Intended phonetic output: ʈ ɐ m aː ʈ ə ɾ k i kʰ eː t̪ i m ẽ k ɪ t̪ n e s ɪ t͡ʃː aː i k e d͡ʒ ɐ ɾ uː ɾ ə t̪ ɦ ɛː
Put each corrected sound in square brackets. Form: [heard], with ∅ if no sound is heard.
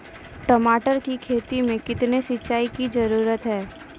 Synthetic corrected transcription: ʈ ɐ m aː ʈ ə ɾ k i kʰ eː t̪ i m ẽ k ɪ t̪ n e s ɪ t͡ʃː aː i k [i] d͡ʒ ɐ ɾ uː ɾ ə t̪ ɦ ɛː